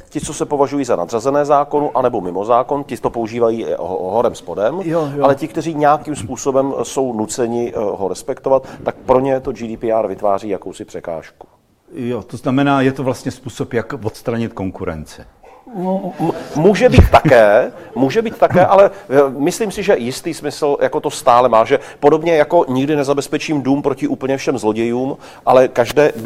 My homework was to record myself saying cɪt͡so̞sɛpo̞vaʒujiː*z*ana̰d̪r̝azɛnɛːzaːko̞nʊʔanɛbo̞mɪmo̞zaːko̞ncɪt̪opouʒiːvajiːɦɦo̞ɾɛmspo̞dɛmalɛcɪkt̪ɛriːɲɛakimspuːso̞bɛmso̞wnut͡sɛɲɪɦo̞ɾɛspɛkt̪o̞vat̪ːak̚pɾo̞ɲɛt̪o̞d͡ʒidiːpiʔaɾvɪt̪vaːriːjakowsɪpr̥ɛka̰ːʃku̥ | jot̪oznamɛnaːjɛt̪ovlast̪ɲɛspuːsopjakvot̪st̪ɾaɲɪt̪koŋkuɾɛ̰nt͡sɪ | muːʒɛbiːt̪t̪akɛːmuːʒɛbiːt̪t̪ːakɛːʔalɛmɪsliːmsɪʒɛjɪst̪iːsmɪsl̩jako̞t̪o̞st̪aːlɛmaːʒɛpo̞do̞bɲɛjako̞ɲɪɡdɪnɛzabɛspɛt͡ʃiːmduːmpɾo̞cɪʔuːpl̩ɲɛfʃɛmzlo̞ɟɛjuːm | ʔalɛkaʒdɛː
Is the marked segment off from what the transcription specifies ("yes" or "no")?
no